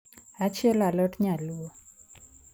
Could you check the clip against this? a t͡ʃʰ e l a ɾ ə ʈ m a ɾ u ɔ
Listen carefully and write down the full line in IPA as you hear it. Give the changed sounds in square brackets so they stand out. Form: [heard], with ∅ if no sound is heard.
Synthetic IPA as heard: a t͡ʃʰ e l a [l] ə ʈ [ɲ] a [l] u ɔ